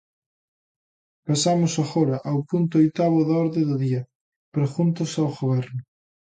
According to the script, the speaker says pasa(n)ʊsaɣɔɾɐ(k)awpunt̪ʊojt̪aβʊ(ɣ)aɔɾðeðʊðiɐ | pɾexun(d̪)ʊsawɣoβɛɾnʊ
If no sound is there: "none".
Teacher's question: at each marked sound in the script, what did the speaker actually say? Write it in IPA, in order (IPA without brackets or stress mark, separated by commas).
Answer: m, ʔ, ð, t̪